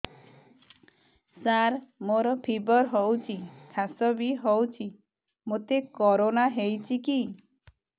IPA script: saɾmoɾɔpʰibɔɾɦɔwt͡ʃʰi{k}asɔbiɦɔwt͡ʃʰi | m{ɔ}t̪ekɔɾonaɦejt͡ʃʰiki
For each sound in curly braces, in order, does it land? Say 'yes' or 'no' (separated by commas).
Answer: no, no